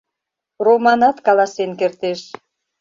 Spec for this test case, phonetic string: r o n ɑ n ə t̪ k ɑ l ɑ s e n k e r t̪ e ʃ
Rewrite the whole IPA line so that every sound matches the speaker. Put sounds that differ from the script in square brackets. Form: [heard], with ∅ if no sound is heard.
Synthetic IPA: r o [m] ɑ n [ɑ] t̪ k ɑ l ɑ s e n k e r t̪ e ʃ